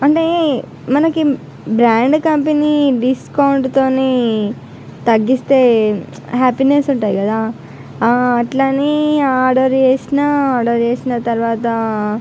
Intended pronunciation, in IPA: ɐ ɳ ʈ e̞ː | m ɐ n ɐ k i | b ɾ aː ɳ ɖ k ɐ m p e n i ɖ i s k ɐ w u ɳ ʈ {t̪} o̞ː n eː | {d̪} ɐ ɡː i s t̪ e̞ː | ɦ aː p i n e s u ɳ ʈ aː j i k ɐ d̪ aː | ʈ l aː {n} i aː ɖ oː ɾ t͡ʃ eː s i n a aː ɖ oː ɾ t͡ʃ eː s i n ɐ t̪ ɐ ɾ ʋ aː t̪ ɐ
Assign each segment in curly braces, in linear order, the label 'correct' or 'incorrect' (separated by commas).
correct, incorrect, correct